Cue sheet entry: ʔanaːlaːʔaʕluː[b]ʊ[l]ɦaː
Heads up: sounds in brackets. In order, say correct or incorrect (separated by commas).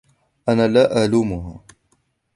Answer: incorrect, incorrect